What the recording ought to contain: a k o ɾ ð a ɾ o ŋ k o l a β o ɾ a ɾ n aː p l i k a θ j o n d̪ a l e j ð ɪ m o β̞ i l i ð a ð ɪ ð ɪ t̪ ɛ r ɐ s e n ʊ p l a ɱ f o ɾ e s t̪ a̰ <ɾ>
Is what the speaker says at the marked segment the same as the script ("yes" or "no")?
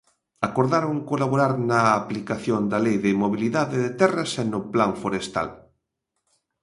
no